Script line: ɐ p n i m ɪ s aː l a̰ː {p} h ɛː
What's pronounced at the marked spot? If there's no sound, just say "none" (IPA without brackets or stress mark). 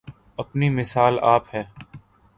p